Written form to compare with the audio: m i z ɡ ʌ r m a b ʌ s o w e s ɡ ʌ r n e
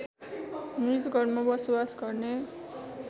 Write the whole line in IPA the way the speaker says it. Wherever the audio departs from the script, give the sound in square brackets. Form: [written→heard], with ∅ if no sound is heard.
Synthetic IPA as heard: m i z ɡ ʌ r m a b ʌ s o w [e→a] s ɡ ʌ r n e